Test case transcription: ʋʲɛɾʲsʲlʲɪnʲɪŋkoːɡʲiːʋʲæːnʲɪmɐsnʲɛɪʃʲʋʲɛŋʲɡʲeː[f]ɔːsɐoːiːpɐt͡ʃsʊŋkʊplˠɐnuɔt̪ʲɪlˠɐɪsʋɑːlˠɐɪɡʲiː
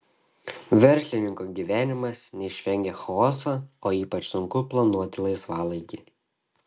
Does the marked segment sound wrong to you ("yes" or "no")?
yes